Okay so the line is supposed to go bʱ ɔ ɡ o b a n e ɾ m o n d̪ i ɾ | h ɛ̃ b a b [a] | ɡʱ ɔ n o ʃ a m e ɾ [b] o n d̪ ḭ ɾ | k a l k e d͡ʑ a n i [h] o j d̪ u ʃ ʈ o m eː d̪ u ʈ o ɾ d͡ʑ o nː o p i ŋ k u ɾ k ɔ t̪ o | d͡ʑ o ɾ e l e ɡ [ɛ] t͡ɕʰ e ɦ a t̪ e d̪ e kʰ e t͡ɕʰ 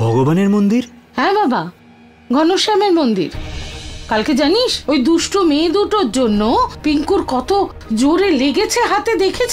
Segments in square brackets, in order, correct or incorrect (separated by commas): correct, incorrect, incorrect, incorrect